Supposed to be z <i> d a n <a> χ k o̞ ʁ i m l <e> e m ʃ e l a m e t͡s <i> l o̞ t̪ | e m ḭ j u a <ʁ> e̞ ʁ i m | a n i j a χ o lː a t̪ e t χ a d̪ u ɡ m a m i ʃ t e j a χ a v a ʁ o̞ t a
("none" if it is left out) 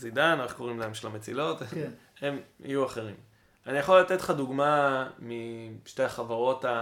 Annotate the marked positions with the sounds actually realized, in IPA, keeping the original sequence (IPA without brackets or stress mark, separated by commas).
i, e, a, i, χ